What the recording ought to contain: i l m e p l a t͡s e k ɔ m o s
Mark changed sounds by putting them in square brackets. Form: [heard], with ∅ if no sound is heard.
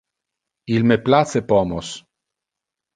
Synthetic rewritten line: i l m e p l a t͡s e [p] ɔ m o s

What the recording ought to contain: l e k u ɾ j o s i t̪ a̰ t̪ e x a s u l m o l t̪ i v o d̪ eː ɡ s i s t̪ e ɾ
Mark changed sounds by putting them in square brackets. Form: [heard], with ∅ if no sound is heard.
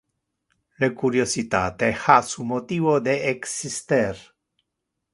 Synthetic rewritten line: l e k u ɾ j o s i t̪ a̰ t̪ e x a s u [∅] m o [∅] t̪ i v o d̪ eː [k] s i s t̪ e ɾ

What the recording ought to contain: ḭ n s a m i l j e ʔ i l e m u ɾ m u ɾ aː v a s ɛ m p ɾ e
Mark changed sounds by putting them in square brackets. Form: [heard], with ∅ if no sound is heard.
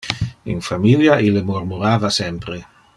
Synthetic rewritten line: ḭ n [f] a m i l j [a] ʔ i l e m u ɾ m u ɾ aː v a s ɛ m p ɾ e

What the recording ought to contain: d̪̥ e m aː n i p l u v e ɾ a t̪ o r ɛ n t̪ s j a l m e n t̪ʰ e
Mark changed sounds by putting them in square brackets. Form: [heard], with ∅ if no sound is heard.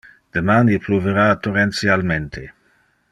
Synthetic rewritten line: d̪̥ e m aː n i p l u v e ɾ a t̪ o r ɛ n t̪ s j a l m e n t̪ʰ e

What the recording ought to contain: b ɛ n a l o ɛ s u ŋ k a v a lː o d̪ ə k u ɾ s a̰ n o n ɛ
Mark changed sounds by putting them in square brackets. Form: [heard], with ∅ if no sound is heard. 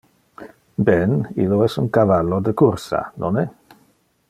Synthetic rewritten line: b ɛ n [i] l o ɛ s u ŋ k a v a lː o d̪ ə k u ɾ s a̰ n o n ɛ

